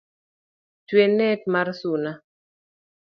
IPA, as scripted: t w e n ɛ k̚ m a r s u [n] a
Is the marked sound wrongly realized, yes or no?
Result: no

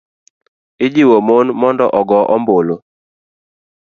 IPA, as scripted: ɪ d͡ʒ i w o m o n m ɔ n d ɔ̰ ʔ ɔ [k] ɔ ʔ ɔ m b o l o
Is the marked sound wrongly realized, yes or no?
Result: yes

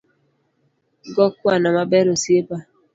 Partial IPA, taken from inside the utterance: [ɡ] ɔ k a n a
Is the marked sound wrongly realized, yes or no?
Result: no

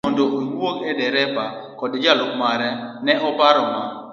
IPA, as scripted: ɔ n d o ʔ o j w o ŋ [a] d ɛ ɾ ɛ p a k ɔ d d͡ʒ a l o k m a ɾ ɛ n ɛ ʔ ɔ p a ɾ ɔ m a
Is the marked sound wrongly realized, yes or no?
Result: yes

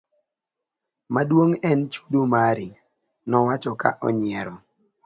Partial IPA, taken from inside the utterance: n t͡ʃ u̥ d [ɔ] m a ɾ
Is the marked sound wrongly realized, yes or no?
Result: yes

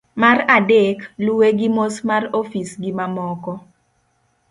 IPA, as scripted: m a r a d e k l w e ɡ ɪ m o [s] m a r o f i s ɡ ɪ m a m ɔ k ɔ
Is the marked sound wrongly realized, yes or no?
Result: no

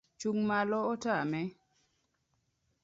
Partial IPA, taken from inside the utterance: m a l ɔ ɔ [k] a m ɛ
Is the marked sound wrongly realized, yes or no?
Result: yes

